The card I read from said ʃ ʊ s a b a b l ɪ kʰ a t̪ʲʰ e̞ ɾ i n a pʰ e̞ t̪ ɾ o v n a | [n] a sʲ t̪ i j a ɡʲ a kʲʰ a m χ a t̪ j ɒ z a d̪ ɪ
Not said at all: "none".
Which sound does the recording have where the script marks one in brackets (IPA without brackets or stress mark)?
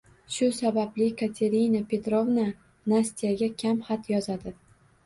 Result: n